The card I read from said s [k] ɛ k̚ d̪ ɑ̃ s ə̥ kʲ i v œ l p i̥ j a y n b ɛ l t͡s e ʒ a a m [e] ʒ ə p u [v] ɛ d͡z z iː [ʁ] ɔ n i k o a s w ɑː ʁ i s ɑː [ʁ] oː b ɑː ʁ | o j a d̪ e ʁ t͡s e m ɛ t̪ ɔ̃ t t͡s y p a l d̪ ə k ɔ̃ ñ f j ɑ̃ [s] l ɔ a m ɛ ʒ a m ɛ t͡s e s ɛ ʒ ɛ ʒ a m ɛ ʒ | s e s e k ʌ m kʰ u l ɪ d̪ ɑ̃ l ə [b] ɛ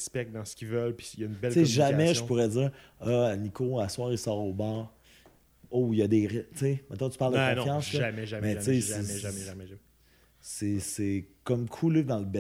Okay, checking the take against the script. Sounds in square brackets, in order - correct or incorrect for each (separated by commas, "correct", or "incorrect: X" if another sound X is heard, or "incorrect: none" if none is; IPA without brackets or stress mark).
incorrect: p, incorrect: ɛ, incorrect: ʁ, correct, correct, correct, correct